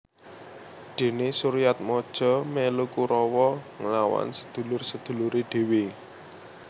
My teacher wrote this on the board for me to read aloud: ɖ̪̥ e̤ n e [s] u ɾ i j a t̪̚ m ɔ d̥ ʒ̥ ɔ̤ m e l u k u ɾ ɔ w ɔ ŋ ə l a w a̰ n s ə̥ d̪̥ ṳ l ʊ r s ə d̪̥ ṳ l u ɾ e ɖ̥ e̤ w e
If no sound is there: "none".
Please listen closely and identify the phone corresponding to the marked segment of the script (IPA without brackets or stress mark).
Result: s